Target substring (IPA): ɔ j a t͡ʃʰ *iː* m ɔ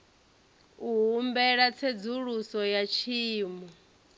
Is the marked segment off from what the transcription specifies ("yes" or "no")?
no